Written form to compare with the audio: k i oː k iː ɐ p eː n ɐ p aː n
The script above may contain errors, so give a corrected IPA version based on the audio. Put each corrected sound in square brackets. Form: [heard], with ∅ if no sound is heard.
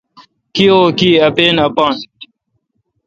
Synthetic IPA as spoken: k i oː k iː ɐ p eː n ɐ p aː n